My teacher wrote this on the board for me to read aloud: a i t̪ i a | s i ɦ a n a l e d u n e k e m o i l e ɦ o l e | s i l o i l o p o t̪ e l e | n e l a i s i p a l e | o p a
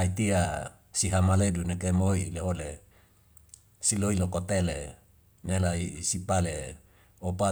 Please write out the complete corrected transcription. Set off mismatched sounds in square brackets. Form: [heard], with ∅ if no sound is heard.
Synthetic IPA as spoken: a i t̪ i a | s i ɦ a [m] a l e d u n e k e m o i l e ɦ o l e | s i l o i l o [k] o t̪ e l e | n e l a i s i p a l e | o p a